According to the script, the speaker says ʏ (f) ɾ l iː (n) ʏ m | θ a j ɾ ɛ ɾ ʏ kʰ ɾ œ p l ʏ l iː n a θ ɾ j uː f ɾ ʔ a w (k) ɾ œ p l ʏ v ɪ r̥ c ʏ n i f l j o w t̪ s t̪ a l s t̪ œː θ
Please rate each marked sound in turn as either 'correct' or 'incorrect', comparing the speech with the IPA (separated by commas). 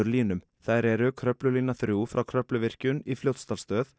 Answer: incorrect, correct, incorrect